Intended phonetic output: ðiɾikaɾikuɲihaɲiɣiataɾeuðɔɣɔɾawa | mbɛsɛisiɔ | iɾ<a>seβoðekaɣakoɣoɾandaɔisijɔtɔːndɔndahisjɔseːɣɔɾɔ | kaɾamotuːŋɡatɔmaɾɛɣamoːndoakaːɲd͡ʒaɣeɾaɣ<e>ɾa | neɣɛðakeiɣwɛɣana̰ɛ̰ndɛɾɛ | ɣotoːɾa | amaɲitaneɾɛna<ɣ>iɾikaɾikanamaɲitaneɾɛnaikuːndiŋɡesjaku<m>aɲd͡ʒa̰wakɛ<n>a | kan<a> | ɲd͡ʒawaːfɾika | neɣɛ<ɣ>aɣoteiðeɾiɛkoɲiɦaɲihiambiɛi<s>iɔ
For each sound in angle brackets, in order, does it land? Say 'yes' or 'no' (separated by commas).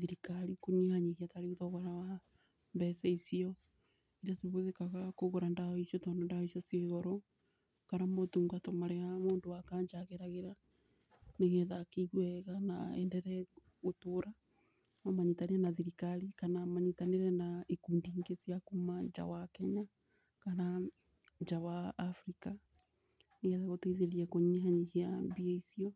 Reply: yes, yes, no, yes, no, yes, no, yes